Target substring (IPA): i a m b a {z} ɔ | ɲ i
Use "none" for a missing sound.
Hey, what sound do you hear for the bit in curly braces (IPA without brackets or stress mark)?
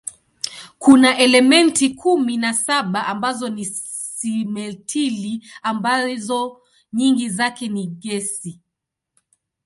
z